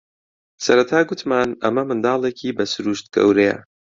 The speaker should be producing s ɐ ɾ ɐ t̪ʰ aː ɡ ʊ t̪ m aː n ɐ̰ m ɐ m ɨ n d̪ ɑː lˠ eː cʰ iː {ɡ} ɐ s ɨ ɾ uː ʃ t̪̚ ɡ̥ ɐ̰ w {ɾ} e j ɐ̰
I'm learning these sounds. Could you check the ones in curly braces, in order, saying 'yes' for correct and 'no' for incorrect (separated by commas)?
no, yes